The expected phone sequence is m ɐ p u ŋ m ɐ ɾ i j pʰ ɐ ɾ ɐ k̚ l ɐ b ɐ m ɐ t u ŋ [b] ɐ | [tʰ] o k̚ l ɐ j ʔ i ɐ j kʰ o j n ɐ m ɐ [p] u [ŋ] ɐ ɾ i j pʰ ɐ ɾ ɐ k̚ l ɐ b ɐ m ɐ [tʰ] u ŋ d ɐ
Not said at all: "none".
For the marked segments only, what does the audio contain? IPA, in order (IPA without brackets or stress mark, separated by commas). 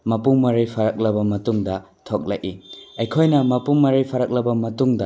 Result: d, tʰ, p, m, t